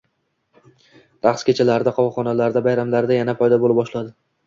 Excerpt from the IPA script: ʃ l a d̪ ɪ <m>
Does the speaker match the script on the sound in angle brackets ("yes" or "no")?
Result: no